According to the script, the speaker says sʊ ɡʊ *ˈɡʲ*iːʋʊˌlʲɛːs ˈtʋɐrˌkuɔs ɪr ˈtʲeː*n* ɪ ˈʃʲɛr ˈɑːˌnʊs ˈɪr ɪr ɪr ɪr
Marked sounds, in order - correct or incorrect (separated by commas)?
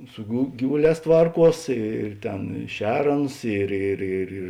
correct, correct